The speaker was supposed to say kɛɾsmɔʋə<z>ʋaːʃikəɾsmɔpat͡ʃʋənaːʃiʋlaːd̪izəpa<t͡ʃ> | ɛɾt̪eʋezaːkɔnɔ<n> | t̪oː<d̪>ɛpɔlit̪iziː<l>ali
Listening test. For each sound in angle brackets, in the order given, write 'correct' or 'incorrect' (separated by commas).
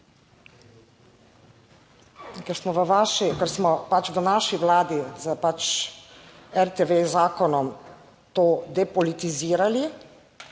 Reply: incorrect, correct, incorrect, correct, incorrect